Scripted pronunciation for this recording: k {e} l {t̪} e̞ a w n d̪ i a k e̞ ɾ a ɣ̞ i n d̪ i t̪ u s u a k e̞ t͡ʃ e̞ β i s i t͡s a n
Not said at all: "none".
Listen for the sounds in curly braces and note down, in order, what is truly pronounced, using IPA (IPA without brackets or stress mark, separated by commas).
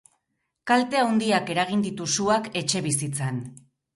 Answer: a, t̪